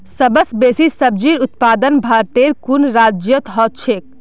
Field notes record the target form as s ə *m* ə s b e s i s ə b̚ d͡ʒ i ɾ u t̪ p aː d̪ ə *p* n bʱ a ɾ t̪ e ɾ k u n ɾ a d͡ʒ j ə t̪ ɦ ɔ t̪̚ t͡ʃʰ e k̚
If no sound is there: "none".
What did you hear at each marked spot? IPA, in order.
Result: b, none

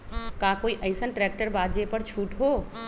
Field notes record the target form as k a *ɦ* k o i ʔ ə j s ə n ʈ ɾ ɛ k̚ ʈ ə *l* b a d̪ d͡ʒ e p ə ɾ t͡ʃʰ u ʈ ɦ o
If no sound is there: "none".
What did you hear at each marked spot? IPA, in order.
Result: none, ɾ

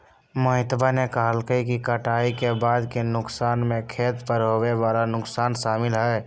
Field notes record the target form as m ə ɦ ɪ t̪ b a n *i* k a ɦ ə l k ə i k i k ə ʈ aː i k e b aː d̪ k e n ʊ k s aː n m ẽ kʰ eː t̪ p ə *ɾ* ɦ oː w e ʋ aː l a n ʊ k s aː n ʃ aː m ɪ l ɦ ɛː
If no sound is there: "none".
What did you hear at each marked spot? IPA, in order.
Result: e, ɾ

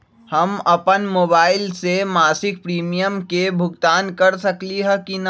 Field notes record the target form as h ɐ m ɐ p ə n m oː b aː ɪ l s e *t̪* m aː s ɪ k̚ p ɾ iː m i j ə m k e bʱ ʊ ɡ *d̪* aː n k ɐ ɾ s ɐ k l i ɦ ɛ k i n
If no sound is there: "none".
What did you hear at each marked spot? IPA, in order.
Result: none, t̪

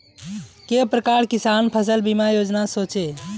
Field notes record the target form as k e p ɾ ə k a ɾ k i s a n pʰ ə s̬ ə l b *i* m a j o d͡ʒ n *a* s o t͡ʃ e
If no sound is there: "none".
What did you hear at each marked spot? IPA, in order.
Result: i, a

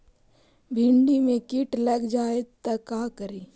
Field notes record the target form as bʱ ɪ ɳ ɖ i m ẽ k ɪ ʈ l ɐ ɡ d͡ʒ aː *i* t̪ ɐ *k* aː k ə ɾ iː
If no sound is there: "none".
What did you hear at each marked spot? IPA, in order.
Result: e, k

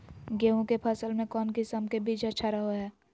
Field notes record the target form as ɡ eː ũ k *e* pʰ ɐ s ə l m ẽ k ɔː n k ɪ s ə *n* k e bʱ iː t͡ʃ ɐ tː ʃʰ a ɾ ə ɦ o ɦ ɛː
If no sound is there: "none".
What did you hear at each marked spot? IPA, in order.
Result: e, m

